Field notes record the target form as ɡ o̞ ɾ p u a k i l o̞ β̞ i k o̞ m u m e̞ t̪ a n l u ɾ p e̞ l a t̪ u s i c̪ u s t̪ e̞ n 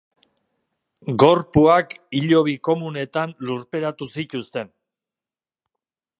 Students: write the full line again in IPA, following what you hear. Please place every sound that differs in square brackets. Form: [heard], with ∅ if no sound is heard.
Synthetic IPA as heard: ɡ o̞ ɾ p u a k i [ʎ] o̞ β̞ i k o̞ m u [n] e̞ t̪ a n l u ɾ p e̞ [ɾ] a t̪ u s i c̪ u s t̪ e̞ n